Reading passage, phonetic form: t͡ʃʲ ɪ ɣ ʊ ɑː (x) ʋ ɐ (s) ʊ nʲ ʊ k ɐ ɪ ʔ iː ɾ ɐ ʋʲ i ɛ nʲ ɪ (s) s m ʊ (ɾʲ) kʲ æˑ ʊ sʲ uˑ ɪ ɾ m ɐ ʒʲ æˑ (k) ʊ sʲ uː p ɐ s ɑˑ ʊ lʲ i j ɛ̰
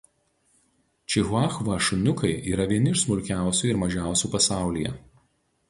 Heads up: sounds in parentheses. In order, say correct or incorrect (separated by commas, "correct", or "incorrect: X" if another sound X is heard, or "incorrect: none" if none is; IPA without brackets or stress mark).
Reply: correct, incorrect: ʃ, incorrect: ʃ, correct, incorrect: none